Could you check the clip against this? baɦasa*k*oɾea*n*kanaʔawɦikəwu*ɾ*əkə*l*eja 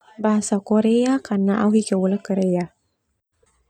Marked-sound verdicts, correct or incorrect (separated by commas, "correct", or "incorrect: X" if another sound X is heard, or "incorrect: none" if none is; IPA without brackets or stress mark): correct, incorrect: none, incorrect: l, incorrect: ɾ